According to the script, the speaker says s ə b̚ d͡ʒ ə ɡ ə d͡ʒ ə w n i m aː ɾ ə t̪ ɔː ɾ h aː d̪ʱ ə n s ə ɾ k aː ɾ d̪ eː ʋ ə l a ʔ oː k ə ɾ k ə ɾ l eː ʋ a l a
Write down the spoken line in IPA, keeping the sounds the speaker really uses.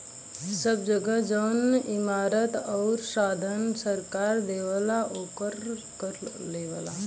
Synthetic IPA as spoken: s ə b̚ d͡ʒ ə ɡ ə d͡ʒ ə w n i m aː ɾ ə t̪ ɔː ɾ s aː d̪ʱ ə n s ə ɾ k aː ɾ d̪ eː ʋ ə l a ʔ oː k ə ɾ k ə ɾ l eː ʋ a l a